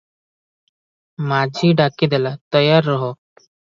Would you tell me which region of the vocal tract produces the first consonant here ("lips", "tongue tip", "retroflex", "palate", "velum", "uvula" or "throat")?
lips